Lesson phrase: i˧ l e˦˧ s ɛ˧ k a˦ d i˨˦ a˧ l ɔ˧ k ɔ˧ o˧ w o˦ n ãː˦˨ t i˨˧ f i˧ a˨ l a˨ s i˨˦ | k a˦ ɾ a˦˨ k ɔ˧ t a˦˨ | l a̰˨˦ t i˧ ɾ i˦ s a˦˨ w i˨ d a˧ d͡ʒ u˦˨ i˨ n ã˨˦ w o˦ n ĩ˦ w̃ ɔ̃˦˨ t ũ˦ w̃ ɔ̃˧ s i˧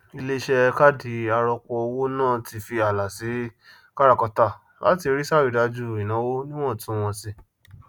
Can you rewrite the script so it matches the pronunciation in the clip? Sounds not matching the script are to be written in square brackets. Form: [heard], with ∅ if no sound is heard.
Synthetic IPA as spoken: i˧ l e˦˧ [ʃ] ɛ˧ k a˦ d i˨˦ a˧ [ɾ] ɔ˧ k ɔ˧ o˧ w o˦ n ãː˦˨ t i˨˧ f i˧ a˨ l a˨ s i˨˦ | k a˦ ɾ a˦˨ k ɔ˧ t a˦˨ | l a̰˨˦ t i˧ ɾ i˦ s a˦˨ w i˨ d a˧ d͡ʒ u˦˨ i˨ n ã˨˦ w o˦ n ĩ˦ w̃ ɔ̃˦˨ t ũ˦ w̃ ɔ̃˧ s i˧